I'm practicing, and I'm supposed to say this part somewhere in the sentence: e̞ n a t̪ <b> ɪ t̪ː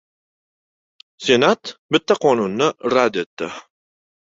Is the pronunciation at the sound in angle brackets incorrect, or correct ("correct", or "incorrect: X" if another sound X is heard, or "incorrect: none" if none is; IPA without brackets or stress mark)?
correct